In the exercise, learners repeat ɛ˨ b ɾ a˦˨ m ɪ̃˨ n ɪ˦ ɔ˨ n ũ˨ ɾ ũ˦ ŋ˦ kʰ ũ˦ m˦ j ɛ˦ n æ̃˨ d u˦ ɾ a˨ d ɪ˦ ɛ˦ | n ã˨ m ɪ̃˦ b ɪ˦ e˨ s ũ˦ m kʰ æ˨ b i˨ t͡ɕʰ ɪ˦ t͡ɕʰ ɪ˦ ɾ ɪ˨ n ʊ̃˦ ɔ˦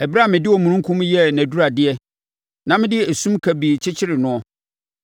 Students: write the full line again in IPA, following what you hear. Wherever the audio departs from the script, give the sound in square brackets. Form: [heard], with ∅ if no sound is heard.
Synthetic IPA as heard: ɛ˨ b ɾ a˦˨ m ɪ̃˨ [d] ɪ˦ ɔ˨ [m] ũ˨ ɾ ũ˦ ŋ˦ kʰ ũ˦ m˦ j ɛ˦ n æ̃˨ d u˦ ɾ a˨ d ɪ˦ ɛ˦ | n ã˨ m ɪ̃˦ [d] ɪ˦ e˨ s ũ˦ m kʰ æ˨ b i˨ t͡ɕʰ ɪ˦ t͡ɕʰ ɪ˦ ɾ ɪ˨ n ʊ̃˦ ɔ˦

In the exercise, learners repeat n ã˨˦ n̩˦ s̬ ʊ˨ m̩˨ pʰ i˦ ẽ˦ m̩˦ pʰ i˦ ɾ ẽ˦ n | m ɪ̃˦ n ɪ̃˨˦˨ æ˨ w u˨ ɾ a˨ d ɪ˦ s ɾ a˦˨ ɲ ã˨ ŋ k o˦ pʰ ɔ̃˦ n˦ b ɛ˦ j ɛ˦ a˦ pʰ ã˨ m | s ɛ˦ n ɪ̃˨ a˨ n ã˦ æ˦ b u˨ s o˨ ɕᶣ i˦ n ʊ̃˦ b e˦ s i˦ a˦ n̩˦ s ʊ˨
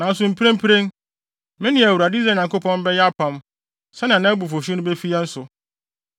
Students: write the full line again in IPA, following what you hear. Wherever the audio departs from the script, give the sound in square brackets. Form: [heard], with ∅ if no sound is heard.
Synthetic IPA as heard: n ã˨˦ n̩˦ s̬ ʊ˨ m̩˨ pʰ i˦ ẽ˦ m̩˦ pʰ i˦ ɾ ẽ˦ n | m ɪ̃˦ n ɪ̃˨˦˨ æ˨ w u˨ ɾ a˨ d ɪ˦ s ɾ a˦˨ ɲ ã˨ ŋ k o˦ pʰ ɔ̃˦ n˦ b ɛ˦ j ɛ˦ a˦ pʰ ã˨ m | s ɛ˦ n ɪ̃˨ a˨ n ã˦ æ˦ b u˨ [f] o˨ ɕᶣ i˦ n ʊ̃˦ b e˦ [f] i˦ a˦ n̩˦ s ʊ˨

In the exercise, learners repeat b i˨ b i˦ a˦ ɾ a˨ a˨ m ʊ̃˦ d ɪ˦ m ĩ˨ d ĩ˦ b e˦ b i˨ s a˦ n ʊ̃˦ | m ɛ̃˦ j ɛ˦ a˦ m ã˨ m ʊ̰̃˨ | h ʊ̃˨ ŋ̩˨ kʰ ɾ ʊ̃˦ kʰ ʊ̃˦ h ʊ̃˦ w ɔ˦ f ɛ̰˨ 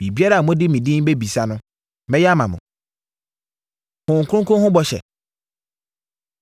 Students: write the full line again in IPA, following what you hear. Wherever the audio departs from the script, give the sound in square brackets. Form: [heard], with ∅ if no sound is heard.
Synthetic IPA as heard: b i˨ b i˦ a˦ ɾ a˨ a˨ m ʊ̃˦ d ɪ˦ m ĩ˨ d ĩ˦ b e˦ b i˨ s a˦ n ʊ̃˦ | m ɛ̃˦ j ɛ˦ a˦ m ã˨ m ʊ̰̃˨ | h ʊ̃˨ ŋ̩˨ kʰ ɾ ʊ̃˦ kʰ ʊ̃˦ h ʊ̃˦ [b] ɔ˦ [ɕ] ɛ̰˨

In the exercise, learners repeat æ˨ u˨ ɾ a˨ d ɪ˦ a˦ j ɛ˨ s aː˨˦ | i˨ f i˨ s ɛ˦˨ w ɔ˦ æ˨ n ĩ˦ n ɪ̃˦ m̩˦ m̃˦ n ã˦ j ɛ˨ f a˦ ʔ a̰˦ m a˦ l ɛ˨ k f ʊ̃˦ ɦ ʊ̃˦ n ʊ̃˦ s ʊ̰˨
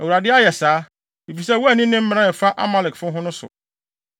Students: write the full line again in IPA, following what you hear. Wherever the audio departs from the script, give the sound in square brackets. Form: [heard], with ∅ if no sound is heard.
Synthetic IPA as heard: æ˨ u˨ ɾ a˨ d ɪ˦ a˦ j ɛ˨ s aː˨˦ | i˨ f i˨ s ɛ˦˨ w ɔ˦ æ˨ n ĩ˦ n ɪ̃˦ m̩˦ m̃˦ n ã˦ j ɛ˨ f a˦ ʔ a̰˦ m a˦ l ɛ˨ k f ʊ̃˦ ɦ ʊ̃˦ n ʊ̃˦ s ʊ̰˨

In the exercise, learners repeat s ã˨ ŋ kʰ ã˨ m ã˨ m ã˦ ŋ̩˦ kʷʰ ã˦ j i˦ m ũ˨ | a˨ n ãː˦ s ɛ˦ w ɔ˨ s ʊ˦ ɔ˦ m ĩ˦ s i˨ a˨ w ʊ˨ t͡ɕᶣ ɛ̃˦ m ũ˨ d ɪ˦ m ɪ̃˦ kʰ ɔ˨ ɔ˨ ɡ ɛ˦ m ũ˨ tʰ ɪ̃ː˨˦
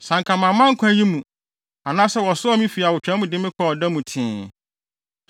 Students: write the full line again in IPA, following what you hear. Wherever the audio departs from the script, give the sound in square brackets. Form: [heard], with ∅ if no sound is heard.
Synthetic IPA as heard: s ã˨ ŋ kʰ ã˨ m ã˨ m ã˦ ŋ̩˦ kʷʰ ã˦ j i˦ m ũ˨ | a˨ n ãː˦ s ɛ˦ w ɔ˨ s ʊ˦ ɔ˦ m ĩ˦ [f] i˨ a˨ w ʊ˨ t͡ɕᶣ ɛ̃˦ m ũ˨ d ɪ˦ m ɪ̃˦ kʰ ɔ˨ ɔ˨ [d] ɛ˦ m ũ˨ tʰ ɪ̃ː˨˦

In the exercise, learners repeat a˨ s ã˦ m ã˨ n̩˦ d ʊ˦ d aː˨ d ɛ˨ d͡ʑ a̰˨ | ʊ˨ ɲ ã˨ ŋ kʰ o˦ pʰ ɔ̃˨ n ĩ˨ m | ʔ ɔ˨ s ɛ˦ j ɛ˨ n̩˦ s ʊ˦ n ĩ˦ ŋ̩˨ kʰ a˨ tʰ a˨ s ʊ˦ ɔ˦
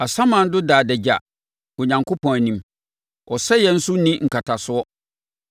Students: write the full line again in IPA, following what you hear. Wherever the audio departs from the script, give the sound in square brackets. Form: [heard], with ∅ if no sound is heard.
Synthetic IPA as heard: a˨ s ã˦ m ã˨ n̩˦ d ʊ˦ d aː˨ d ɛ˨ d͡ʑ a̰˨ | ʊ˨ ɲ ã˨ ŋ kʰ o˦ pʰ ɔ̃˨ n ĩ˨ m | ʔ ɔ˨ s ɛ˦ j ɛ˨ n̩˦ s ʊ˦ n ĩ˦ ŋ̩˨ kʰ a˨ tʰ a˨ s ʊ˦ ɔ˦

